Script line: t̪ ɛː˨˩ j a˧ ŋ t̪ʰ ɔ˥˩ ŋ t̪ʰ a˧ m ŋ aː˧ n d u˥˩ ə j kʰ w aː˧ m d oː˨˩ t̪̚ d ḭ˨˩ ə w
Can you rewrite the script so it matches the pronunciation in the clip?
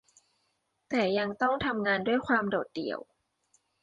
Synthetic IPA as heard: t̪ ɛː˨˩ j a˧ ŋ t̪ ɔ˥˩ ŋ t̪ʰ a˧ m ŋ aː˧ n d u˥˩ ə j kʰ w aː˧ m d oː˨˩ t̪̚ d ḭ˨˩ ə w